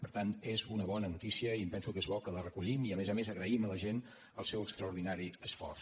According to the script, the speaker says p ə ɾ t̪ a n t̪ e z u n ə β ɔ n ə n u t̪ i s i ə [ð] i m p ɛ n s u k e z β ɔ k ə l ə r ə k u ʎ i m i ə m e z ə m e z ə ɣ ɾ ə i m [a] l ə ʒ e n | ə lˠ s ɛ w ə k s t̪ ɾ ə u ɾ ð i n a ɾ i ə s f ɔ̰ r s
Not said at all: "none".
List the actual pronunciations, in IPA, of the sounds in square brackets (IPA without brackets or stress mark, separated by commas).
none, ə